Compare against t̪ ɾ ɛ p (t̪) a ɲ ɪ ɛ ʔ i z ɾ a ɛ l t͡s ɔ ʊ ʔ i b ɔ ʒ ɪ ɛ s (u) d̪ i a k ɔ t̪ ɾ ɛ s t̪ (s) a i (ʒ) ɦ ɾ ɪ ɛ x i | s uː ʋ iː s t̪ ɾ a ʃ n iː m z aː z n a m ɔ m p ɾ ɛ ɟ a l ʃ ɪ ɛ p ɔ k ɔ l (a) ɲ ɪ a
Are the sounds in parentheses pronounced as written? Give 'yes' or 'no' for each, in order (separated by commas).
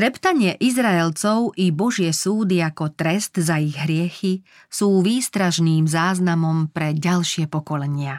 yes, no, no, no, no